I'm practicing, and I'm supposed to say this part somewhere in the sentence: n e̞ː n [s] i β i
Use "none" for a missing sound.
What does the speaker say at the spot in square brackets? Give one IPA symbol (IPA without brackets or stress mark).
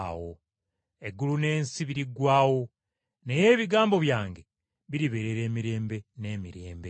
s